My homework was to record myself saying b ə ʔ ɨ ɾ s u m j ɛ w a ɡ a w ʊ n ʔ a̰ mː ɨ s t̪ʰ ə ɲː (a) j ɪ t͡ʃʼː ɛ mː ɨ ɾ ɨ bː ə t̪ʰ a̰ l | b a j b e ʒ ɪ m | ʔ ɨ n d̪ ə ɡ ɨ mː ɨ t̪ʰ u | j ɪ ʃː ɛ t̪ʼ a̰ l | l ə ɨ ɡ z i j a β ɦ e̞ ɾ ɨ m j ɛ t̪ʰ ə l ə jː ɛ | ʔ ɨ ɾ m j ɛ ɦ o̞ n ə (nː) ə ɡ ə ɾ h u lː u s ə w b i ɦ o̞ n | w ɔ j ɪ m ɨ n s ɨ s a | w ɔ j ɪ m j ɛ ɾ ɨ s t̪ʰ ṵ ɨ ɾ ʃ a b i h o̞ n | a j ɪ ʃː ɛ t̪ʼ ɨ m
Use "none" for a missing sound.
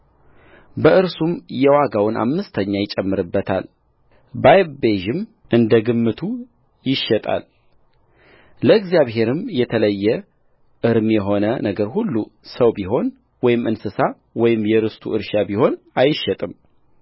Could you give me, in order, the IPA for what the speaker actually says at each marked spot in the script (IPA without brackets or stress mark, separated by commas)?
a, n